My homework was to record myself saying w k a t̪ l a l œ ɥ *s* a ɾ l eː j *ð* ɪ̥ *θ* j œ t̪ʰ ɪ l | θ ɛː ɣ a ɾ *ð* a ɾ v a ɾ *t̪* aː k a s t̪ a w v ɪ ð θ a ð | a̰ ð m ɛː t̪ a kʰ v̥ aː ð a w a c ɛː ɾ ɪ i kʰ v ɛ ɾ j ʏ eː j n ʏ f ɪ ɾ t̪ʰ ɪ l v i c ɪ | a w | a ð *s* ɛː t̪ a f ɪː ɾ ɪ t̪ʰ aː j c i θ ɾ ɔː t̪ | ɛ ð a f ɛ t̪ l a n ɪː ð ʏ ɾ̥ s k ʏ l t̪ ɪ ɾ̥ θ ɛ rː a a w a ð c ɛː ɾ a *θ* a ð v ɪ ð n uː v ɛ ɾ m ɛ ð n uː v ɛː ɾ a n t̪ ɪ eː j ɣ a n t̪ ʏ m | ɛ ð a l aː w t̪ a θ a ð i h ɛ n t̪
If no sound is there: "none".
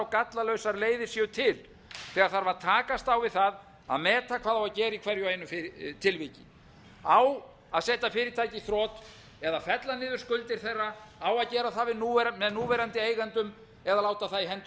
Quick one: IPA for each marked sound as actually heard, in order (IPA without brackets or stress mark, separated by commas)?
s, ð, s, θ, t̪ʰ, s, θ